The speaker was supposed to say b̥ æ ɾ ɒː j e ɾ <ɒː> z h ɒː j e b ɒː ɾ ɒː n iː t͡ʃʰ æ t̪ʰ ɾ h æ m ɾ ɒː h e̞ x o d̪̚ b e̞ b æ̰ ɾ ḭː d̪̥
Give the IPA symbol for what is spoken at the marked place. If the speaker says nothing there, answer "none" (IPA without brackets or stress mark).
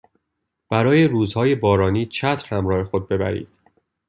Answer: uː